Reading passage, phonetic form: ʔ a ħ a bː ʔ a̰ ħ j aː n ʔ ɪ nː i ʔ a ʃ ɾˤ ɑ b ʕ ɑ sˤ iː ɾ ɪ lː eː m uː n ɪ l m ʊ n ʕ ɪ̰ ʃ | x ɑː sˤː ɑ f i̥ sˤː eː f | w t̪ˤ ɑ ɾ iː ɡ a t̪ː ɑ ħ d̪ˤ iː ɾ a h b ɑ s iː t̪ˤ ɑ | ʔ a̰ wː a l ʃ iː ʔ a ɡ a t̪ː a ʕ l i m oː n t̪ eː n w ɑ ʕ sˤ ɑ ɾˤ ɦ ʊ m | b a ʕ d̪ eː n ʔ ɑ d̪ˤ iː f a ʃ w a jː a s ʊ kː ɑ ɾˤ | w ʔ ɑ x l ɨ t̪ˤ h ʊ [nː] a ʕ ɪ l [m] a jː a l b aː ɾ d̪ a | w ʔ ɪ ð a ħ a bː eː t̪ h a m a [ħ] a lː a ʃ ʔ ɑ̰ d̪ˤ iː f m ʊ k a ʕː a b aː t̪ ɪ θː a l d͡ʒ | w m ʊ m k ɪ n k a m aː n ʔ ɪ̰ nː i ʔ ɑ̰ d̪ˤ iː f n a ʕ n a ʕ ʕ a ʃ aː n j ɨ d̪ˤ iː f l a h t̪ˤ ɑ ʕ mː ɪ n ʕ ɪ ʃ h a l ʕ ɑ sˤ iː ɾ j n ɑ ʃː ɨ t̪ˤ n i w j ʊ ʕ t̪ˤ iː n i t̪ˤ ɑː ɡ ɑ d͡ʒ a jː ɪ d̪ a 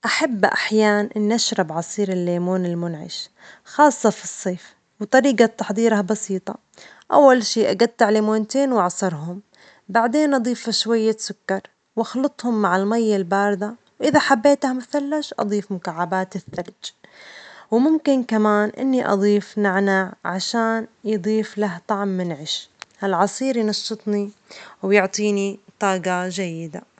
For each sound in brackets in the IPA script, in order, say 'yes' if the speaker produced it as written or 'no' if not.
no, yes, no

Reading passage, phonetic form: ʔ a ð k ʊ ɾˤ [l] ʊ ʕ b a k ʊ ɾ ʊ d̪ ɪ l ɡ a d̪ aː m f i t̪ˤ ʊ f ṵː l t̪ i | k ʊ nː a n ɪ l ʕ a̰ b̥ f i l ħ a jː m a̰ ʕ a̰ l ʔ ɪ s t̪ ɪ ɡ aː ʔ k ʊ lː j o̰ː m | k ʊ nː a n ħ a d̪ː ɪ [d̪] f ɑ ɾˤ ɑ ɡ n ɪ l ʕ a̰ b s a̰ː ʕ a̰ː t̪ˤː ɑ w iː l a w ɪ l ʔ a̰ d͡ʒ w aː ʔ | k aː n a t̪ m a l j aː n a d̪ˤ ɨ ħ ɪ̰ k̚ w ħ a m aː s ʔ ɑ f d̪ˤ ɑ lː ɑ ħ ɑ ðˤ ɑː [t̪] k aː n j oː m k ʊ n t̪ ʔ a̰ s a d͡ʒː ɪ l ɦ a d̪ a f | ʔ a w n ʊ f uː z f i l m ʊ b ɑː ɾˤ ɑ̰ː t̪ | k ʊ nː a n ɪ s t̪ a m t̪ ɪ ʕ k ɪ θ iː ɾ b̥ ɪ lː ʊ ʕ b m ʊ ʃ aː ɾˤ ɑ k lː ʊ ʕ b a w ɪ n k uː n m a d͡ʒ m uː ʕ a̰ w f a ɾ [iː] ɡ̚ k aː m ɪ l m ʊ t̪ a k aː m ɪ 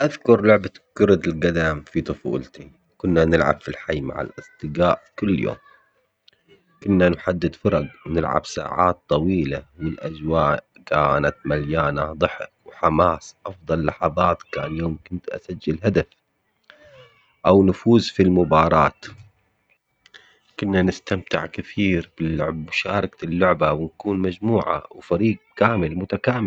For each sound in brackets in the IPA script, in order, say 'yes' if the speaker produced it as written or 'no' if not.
yes, yes, yes, yes

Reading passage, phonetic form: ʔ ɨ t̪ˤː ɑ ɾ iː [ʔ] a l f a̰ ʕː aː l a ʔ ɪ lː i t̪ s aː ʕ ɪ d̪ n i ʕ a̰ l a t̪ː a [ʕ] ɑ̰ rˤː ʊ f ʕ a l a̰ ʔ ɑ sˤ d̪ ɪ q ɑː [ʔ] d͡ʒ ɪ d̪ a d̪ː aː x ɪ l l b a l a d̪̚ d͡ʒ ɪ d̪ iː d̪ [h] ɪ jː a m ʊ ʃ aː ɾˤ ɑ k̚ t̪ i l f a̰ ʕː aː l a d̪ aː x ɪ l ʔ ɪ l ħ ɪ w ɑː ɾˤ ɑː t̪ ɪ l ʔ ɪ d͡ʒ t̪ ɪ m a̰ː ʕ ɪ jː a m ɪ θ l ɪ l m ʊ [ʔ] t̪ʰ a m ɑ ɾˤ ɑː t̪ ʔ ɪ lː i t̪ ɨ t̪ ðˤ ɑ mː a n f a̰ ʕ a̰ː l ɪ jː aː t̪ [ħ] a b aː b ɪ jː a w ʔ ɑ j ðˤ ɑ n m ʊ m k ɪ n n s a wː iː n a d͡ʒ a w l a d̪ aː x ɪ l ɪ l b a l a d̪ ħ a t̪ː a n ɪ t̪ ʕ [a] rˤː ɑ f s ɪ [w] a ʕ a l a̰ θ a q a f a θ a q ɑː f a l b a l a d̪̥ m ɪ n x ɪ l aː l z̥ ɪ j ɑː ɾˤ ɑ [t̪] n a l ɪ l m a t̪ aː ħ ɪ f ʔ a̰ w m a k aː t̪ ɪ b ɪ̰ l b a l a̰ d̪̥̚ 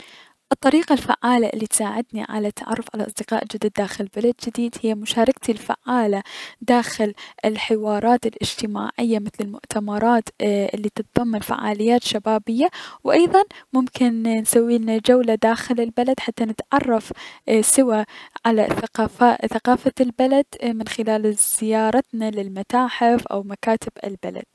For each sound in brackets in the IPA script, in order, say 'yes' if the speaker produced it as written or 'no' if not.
no, yes, yes, yes, yes, no, no, yes, yes

